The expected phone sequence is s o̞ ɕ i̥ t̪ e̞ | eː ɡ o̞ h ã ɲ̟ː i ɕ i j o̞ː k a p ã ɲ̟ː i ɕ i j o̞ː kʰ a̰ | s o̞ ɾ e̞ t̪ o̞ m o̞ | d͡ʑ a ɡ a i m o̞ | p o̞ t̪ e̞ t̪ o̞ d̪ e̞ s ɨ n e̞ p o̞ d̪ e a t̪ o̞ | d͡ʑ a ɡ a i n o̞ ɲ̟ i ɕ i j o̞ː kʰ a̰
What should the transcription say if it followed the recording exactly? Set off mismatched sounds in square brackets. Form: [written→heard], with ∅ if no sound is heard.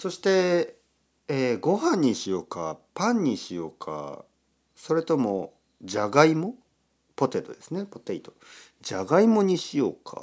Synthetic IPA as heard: s o̞ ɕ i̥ t̪ e̞ | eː ɡ o̞ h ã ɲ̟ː i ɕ i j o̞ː k a p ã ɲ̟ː i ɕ i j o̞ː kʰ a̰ | s o̞ ɾ e̞ t̪ o̞ m o̞ | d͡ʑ a ɡ a i m o̞ | p o̞ t̪ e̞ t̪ o̞ d̪ e̞ s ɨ n e̞ p o̞ [d̪→t̪] e [a→i] t̪ o̞ | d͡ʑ a ɡ a i [n→m] o̞ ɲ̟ i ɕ i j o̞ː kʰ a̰